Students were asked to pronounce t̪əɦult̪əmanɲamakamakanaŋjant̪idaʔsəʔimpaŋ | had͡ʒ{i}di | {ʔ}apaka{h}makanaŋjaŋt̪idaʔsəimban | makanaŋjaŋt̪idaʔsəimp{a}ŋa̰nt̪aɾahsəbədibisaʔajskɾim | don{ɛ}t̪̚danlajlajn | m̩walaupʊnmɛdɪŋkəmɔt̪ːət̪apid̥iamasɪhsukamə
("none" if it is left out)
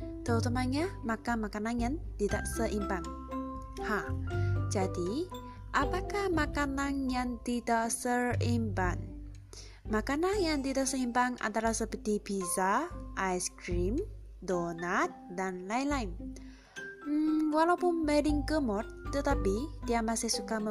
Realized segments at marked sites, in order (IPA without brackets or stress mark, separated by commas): a, ʔ, h, a, a